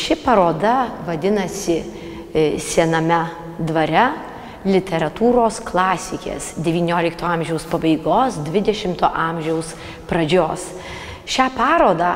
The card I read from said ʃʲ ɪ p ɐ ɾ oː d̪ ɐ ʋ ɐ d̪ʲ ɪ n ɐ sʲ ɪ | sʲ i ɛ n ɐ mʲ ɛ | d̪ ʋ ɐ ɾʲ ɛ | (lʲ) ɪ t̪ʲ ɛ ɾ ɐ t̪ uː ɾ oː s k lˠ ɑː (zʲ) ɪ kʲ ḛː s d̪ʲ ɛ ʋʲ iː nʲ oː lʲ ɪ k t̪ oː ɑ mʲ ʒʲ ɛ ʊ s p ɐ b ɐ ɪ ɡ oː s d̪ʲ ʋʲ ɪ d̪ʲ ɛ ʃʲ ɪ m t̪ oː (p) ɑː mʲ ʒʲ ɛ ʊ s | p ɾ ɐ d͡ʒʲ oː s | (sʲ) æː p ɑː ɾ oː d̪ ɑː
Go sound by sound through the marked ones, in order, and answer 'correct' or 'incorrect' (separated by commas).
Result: correct, incorrect, incorrect, incorrect